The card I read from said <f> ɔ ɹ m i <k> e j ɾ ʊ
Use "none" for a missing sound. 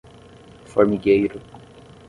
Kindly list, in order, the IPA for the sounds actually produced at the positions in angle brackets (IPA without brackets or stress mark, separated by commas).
f, ɡ